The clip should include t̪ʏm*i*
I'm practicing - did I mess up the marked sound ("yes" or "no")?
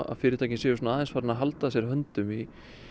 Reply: no